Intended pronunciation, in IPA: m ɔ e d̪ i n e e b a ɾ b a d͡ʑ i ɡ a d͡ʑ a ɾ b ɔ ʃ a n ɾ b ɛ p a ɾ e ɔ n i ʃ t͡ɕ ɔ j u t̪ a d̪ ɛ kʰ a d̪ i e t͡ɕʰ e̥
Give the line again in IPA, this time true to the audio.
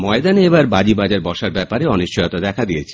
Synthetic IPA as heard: m ɔ e d̪ a n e e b a ɾ b a d͡ʑ i b a d͡ʑ a ɾ b ɔ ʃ a ɾ b ɛ p a ɾ e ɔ n i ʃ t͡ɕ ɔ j o t̪ a d̪ ɛ kʰ a d̪ i e t͡ɕʰ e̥